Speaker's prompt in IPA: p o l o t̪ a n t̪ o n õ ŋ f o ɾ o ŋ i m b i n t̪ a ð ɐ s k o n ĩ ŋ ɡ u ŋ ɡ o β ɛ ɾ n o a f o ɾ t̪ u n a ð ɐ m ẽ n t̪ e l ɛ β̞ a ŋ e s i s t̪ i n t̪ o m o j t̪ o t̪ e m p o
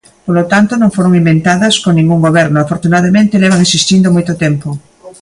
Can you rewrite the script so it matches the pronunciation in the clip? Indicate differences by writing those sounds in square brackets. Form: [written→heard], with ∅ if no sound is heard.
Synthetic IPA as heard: p o l o t̪ a n t̪ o n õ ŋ f o ɾ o ŋ i m b [i→e] n t̪ a ð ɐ s k o n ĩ ŋ ɡ u ŋ ɡ o β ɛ ɾ n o a f o ɾ t̪ u n a ð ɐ m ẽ n t̪ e l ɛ β̞ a ŋ e s i s t̪ i n [t̪→d̪] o m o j t̪ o t̪ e m p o